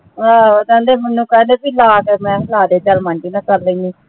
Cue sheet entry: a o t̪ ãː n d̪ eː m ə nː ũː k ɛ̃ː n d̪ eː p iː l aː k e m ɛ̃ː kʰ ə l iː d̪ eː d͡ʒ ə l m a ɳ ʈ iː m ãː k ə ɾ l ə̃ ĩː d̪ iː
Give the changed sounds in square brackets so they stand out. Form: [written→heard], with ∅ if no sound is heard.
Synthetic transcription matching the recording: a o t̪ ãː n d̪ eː m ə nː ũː k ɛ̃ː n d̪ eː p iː l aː k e m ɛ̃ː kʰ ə l [iː→aː] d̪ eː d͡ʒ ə l m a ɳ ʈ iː [m→n] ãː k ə ɾ l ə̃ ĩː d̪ iː

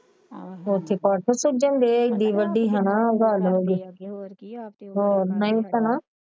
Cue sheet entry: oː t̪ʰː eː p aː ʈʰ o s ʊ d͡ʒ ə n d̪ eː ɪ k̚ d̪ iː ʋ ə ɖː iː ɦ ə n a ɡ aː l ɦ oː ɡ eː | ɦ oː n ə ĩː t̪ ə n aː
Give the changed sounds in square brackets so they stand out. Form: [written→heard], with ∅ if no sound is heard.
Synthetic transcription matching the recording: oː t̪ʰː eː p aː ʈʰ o s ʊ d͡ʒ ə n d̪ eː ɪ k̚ d̪ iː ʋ ə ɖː iː ɦ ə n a ɡ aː l ɦ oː ɡ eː | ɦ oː n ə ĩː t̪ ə n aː

